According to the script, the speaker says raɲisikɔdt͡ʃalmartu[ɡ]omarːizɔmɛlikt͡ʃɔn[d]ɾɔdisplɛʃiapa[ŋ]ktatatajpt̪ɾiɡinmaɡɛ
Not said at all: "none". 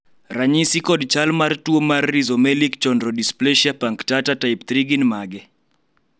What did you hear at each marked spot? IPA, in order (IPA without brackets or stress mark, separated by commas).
none, d, ŋ